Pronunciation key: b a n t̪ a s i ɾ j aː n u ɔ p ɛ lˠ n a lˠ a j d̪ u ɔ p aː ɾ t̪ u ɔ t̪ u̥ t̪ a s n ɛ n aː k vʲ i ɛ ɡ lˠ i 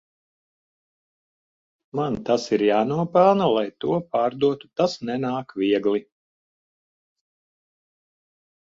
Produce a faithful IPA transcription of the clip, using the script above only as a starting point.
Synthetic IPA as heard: m a n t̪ a s i ɾ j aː n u ɔ p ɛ lˠ n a lˠ a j t̪ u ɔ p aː ɾ d̪ u ɔ t̪ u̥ t̪ a s n ɛ n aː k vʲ i ɛ ɡ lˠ i